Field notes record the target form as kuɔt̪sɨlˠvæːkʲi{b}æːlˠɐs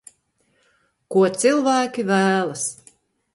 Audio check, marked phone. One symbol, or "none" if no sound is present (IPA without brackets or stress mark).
v